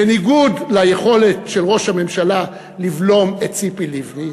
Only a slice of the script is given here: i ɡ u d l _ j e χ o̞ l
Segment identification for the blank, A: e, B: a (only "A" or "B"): B